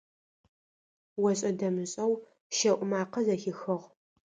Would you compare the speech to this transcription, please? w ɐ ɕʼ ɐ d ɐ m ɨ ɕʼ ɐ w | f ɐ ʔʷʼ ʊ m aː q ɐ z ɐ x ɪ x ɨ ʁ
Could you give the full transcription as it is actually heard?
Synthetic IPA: w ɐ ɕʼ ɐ d ɐ m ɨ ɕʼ ɐ w | ʃ ɐ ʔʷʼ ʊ m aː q ɐ z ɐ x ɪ x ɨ ʁ

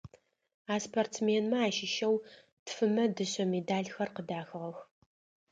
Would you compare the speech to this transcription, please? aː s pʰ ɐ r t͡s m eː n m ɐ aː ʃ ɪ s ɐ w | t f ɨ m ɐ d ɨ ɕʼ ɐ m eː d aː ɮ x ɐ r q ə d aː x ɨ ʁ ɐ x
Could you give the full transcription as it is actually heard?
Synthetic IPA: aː s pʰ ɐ r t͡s m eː n m ɐ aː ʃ ɪ ʃ ɐ w | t f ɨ m ɐ d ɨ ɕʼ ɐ m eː d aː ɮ x ɐ r q ə d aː x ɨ ʁ ɐ x

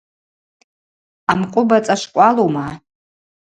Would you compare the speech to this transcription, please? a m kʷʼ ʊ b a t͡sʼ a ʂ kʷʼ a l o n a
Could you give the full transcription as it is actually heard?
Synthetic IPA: a m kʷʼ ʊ b a t͡sʼ a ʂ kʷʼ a l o m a

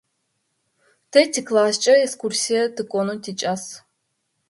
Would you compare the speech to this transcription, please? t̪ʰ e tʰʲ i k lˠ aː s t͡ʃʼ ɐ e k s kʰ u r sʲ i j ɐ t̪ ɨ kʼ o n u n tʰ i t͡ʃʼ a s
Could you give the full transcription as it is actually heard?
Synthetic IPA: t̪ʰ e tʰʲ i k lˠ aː s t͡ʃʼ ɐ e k s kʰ u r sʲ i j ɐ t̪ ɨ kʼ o n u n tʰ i t͡ʃʼ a s

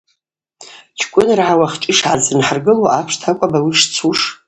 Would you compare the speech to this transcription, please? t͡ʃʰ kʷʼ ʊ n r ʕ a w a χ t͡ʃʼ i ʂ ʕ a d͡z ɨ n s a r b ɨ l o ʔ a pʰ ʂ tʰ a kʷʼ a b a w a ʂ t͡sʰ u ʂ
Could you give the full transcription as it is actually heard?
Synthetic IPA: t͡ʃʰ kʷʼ ʊ n r ʕ a w a χ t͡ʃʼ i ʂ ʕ a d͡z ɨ n ħ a r ɡ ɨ l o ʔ a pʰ ʂ tʰ a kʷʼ a b a w i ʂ t͡sʰ u ʂ

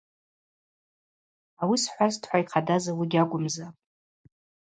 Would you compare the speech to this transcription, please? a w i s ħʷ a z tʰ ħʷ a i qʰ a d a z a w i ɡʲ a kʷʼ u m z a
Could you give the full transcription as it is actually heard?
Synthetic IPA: a w i s ħʷ a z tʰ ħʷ a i qʰ a d a z a w i ɡʲ a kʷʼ ʊ m z a

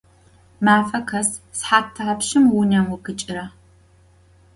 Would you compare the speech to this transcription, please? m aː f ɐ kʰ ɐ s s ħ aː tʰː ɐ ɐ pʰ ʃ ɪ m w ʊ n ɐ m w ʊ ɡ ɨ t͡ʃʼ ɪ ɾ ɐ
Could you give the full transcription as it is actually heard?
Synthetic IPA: m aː f ɐ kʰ ɐ s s ħ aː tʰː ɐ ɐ p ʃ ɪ m w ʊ n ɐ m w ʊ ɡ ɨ t͡ʃʼ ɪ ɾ ɐ

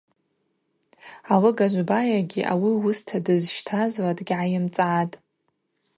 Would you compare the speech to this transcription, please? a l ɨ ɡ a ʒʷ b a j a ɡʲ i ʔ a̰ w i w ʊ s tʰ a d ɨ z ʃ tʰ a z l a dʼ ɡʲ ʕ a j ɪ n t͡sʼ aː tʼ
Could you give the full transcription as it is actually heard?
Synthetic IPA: a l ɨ ɡ a ʒʷ b a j a ɡʲ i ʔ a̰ w i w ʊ s tʰ a d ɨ z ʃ tʰ a z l a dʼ ɡʲ ʕ a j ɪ m t͡sʼ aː tʼ

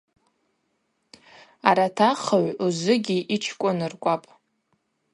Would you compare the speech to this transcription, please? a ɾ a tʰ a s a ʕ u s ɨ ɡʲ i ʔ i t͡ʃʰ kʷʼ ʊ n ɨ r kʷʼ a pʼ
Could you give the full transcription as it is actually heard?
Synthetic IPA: a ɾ a tʰ a χ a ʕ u z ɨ ɡʲ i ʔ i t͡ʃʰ kʷʼ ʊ n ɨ r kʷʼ a pʼ

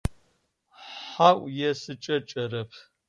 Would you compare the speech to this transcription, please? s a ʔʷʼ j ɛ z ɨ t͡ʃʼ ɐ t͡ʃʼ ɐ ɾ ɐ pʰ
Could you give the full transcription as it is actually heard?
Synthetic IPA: ħ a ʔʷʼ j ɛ s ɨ t͡ʃʼ ɐ t͡ʃʼ ɐ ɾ ɐ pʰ

